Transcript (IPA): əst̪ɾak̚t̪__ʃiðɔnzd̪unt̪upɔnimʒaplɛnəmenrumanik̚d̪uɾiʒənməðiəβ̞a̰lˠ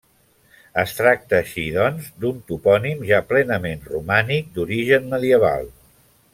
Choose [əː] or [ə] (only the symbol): əː